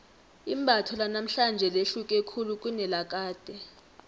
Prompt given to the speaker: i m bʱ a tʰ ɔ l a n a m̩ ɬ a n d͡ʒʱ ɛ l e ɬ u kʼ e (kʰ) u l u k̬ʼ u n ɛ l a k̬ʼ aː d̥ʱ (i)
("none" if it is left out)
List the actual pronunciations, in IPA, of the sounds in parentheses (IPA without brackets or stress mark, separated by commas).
kʰ, ɛ